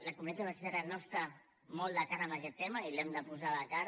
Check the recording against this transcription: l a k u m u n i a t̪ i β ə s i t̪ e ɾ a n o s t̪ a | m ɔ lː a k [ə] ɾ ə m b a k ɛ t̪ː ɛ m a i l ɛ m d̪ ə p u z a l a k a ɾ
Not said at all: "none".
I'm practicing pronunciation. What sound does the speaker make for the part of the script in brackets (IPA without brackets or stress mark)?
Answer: a